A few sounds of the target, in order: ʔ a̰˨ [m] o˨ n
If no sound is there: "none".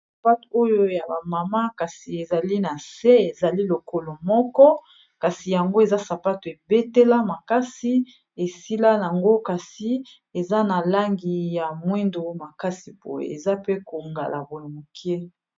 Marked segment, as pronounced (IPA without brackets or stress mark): b